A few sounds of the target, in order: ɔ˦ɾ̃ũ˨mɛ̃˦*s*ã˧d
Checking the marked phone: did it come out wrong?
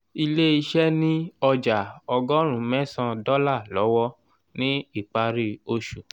no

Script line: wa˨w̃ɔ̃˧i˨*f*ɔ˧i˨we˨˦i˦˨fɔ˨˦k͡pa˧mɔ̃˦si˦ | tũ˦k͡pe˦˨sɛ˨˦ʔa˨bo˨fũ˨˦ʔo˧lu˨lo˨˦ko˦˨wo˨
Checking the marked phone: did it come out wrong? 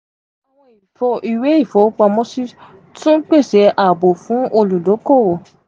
no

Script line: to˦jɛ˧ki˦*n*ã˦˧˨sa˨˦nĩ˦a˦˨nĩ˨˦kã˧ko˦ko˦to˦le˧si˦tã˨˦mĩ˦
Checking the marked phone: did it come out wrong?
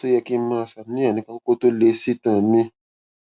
yes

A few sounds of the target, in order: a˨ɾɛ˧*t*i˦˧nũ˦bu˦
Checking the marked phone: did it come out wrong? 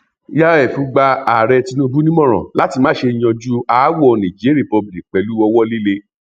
no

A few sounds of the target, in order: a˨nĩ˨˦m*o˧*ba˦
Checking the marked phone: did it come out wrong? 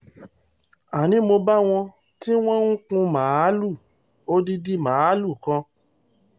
no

